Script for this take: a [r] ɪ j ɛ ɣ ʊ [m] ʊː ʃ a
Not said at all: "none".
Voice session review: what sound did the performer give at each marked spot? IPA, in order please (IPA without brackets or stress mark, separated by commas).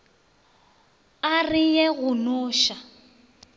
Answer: r, n